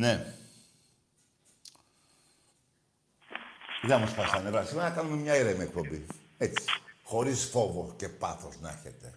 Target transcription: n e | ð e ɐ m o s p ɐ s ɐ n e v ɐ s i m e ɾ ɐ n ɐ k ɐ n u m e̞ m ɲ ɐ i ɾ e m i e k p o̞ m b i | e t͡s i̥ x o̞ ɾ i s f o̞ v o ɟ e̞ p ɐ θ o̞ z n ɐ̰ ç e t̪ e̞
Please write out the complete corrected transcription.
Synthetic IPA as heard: n e | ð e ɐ m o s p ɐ s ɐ n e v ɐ s i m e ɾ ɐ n ɐ k ɐ n u m e̞ m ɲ ɐ i ɾ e m i e k p o̞ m b i | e t͡s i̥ x o̞ ɾ i s f o̞ v o c e̞ p ɐ θ o̞ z n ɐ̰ ç e t̪ e̞